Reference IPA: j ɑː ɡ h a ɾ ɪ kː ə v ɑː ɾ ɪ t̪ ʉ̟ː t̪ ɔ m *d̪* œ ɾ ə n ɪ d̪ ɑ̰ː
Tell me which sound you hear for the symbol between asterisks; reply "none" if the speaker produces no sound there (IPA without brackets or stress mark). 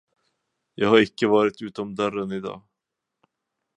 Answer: d̪